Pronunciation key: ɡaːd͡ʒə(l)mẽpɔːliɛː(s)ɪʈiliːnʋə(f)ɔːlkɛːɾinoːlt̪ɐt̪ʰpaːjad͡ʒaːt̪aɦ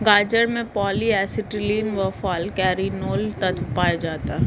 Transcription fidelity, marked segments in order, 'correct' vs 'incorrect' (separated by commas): incorrect, correct, correct